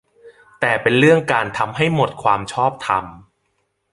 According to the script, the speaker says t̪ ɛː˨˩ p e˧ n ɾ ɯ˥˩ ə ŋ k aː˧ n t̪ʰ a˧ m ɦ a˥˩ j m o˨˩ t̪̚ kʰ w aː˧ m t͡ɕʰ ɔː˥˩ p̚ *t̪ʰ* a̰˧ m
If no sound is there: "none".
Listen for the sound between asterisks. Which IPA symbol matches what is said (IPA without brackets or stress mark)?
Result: t̪ʰ